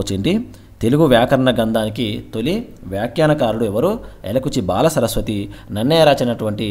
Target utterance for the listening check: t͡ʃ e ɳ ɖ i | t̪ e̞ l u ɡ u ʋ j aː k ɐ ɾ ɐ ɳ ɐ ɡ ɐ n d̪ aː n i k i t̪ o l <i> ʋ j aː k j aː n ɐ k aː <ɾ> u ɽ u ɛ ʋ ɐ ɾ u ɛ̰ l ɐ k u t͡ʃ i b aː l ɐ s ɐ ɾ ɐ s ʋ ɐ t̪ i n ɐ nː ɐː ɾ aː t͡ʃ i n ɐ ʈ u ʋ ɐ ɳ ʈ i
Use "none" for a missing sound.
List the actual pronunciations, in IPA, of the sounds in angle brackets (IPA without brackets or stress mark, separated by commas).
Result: i, ɾ